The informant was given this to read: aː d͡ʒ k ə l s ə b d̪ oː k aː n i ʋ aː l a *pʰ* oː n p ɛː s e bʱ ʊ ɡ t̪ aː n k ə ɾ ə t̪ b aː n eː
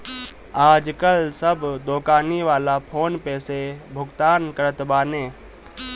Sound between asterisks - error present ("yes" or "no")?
no